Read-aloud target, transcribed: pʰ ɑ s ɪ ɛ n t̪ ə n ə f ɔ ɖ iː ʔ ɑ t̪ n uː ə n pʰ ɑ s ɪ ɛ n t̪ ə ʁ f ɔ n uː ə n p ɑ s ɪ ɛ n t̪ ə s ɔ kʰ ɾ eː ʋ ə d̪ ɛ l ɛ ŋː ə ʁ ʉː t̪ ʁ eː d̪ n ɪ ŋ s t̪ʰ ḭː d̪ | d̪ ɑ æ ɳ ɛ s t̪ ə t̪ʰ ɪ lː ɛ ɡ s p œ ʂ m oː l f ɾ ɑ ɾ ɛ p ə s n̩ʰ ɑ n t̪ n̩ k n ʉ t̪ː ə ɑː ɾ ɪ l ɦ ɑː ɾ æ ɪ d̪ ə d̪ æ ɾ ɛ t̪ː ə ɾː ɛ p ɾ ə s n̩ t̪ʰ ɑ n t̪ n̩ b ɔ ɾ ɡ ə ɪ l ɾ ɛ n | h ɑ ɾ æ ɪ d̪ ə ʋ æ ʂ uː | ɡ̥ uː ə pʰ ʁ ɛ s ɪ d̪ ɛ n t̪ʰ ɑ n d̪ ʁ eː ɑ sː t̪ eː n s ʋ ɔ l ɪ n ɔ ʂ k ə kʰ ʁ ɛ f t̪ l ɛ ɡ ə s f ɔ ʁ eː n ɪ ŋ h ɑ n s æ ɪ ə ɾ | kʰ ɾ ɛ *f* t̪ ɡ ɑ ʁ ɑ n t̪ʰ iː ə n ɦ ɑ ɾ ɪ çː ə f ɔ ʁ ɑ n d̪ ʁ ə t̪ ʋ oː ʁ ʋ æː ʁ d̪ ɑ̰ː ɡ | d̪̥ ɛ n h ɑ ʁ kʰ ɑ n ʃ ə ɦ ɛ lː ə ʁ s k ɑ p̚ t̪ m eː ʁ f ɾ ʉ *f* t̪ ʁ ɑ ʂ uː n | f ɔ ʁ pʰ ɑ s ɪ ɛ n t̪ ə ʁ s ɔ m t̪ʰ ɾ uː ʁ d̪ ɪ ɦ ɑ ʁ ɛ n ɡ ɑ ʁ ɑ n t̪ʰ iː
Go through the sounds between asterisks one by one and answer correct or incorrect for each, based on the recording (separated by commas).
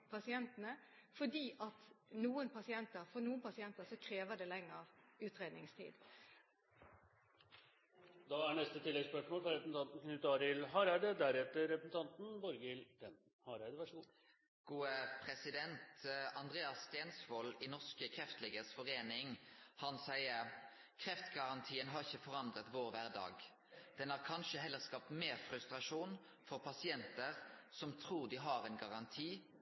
correct, incorrect